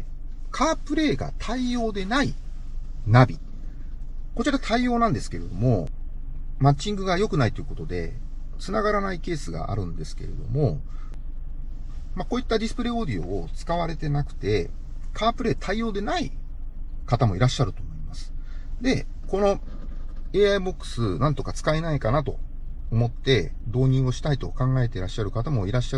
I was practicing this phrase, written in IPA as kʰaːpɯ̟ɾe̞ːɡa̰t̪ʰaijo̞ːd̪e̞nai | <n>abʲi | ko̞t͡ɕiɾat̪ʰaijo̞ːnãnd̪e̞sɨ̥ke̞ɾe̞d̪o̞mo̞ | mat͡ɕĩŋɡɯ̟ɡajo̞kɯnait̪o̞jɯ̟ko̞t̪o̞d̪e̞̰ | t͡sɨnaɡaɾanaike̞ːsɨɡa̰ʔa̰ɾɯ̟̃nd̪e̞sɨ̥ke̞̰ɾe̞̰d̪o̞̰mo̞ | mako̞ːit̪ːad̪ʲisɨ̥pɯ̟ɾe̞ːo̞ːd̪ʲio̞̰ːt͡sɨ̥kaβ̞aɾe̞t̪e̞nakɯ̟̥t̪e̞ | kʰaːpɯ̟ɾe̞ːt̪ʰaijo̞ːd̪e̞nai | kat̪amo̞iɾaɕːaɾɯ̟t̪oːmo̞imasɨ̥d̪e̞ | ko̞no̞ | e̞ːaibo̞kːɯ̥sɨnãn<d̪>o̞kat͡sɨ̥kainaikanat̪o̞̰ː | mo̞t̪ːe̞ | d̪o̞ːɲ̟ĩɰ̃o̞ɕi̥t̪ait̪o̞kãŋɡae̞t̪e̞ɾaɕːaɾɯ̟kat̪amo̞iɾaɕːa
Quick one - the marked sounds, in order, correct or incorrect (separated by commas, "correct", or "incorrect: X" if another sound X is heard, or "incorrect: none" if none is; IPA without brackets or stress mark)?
correct, incorrect: t̪